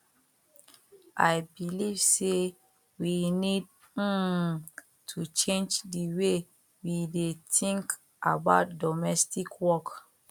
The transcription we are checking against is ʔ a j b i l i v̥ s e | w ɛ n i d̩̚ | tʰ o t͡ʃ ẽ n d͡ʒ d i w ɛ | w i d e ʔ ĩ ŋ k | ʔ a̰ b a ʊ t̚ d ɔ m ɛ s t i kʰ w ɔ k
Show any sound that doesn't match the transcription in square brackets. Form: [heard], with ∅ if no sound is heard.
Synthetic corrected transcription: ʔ a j b i l i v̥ s e | w [i] n i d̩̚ | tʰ [u] t͡ʃ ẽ n d͡ʒ d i w [e] | w i d e [t] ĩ ŋ k | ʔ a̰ b a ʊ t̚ d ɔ m ɛ s t i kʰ w ɔ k